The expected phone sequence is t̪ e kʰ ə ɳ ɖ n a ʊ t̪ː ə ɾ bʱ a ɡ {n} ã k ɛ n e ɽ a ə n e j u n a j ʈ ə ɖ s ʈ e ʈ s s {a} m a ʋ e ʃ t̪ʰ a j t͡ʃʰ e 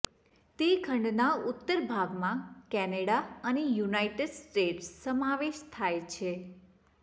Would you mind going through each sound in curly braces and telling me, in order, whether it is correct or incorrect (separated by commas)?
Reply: incorrect, incorrect